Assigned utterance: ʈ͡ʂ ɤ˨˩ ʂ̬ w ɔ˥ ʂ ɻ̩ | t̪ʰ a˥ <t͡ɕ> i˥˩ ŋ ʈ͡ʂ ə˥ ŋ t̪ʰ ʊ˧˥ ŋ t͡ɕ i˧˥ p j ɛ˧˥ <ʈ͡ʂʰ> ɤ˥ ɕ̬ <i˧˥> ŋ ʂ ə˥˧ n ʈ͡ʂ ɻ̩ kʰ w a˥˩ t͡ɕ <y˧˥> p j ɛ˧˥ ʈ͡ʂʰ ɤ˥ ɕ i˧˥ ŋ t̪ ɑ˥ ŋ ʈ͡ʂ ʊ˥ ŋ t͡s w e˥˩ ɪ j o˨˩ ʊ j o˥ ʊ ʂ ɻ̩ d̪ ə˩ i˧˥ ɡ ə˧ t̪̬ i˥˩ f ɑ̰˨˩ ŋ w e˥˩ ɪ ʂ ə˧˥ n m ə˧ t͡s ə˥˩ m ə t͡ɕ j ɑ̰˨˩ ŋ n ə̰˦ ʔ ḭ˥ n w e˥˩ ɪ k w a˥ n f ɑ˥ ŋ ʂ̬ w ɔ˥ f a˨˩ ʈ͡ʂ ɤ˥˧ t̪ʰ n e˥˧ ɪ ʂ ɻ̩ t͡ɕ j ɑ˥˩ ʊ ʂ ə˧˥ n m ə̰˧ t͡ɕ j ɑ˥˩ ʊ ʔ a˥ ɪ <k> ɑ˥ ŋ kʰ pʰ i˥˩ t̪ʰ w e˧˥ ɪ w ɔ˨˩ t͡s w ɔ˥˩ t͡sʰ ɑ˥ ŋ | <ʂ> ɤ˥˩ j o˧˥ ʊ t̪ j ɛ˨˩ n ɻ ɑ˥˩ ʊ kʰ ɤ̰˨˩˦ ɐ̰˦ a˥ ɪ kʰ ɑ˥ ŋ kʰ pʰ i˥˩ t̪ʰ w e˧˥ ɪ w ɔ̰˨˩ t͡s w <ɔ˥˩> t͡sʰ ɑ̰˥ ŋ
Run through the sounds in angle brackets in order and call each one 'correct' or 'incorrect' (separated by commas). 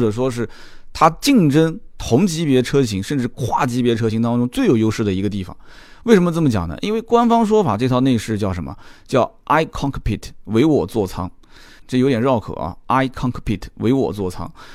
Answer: correct, correct, correct, incorrect, incorrect, incorrect, correct